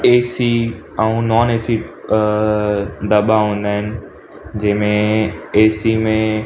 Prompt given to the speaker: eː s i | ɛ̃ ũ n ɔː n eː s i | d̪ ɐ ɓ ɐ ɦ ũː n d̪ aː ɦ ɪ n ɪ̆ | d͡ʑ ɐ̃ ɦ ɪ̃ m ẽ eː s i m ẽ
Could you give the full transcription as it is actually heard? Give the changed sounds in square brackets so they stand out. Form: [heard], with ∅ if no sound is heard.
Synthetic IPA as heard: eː s i | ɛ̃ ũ n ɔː n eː s i | d̪ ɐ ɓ [a] ɦ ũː n d̪ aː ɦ ɪ n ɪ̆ | d͡ʑ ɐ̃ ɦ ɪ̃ m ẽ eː s i m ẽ